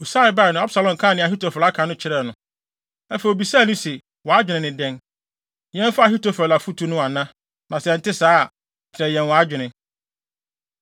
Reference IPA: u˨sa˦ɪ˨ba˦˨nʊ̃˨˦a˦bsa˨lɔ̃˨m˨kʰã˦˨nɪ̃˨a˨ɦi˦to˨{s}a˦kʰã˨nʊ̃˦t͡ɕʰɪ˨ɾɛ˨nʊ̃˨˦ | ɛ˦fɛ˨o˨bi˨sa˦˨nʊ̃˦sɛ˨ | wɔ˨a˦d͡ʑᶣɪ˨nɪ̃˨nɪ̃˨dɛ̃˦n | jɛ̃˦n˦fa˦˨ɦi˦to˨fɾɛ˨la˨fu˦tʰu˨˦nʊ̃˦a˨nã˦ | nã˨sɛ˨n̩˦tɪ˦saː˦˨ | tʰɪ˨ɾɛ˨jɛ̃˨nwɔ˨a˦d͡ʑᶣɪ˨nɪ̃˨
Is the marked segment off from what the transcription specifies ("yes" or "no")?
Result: yes